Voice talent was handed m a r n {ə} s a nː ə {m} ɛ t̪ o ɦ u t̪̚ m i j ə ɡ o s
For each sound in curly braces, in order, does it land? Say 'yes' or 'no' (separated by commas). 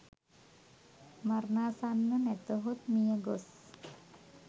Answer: no, no